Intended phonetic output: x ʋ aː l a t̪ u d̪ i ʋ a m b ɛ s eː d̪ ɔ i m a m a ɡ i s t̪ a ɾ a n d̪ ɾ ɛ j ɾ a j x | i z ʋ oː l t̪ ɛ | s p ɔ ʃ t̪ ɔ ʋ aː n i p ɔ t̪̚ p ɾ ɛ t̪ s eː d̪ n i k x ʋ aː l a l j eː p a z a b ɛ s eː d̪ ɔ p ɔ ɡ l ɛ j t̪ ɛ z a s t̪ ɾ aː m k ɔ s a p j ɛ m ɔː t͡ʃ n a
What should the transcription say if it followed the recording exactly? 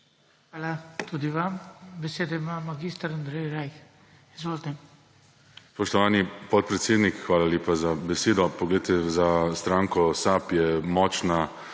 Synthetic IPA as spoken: x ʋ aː l a t̪ u d̪ i ʋ a m b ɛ s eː d̪ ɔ i m a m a ɡ i s t̪ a ɾ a n d̪ ɾ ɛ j ɾ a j x | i z ʋ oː l t̪ ɛ | s p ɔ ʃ t̪ ɔ ʋ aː n i p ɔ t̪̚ p ɾ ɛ t̪ s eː d̪ n i k x ʋ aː l a l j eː p a z a b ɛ s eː d̪ ɔ p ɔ ɡ l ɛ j t̪ ɛ z a s t̪ ɾ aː ŋ k ɔ s a p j ɛ m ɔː t͡ʃ n a